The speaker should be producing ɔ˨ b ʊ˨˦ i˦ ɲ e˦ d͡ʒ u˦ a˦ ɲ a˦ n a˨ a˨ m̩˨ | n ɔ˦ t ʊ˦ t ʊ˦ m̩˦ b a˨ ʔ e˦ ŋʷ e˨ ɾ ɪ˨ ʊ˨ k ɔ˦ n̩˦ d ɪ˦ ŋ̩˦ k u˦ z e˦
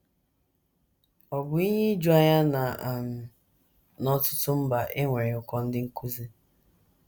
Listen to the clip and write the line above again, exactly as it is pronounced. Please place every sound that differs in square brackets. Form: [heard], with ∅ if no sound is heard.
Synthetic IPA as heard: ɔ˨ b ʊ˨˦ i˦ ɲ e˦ d͡ʒ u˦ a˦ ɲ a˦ n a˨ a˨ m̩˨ | n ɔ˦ t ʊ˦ t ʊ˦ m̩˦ b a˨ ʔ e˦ ŋʷ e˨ ɾ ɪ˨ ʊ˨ k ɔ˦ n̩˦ d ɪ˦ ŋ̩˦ k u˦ z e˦